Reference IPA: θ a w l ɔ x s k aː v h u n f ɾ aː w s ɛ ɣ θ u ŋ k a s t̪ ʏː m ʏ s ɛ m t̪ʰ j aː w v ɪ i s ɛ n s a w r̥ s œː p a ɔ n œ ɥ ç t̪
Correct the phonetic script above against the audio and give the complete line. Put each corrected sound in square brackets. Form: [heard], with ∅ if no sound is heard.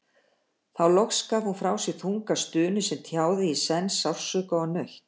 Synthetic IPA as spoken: θ a w l ɔ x s k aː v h u n f ɾ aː w s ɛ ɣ θ u ŋ k a s t̪ ʏː [n] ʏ s ɛ m t̪ʰ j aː w [ð] ɪ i s ɛ n s a w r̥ s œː [k] a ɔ n œ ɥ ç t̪